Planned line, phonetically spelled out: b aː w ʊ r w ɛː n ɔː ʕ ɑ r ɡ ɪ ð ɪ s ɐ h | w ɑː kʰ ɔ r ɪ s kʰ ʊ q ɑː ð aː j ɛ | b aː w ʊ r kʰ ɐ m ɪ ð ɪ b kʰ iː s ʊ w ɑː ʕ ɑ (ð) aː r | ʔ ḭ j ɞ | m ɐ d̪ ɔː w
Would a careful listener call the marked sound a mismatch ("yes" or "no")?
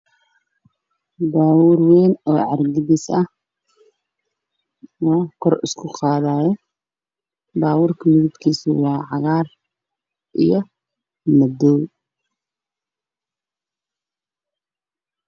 yes